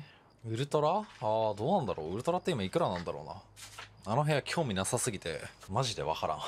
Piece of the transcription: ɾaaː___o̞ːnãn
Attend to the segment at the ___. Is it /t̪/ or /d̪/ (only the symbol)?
d̪